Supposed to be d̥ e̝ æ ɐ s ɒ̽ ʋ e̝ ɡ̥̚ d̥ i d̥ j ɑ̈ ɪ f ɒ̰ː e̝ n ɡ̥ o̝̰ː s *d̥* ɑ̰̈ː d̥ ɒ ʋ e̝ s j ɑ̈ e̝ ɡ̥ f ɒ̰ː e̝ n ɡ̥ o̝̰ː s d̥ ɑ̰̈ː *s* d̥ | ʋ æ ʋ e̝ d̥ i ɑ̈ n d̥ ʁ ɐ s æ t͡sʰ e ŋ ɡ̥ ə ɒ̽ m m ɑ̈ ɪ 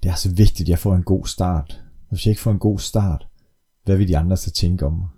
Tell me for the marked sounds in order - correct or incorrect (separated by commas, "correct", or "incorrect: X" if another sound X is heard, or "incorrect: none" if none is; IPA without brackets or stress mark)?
correct, incorrect: none